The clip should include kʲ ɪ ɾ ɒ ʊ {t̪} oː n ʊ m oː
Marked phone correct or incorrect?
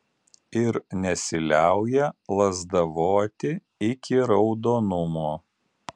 incorrect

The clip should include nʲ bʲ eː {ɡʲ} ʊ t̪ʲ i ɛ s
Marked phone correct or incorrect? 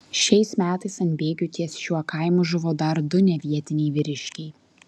correct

